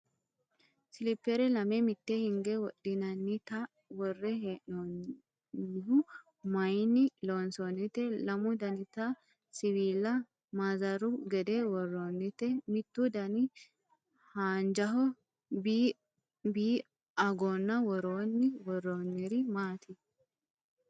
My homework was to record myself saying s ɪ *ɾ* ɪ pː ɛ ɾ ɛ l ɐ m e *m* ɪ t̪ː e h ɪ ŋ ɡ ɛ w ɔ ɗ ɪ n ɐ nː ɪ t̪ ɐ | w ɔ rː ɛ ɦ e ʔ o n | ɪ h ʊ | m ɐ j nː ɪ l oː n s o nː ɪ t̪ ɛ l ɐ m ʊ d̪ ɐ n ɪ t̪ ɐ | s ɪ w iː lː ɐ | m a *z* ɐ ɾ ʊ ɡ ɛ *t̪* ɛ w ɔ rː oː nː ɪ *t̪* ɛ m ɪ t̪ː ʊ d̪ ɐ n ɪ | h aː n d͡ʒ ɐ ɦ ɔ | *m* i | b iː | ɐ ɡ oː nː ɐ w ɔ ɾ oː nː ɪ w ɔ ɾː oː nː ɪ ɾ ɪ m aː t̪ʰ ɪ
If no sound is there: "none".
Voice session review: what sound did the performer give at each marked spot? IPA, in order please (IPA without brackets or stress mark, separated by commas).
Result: l, m, z, d̪, t̪, b